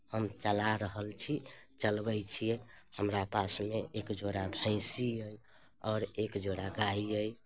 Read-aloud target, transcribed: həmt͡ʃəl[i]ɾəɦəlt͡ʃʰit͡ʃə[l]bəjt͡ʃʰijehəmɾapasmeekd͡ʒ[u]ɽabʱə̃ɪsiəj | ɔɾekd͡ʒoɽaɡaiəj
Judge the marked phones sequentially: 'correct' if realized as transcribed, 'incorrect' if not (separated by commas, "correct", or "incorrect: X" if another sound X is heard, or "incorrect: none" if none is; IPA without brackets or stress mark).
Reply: incorrect: a, correct, incorrect: o